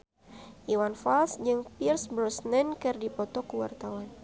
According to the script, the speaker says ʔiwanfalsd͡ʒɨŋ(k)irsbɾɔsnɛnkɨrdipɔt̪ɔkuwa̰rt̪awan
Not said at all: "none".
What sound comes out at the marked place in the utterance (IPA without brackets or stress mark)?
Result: p